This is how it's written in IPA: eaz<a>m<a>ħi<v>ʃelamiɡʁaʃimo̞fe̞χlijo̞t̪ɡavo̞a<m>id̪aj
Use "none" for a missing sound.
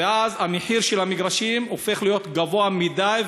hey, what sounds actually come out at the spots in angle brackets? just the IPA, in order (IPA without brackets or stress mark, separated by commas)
a, e, ʁ, m